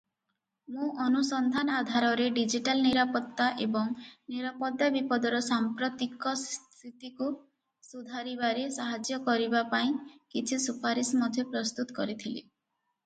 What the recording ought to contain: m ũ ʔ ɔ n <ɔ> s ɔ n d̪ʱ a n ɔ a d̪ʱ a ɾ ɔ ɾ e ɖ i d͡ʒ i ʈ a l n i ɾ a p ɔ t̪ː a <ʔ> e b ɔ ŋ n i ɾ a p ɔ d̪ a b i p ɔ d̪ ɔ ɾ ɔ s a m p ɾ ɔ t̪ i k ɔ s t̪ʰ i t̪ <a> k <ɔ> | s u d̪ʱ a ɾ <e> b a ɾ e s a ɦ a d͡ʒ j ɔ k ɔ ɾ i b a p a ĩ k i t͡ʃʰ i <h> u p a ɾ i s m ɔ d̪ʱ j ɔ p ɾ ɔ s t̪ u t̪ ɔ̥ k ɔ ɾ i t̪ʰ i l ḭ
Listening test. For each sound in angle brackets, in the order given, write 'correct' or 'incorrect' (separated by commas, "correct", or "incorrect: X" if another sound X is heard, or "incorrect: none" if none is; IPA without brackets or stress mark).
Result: incorrect: u, correct, incorrect: i, incorrect: u, incorrect: i, incorrect: s